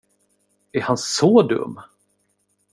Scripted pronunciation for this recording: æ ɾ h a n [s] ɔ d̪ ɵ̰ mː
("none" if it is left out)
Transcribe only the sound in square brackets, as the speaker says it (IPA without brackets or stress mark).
s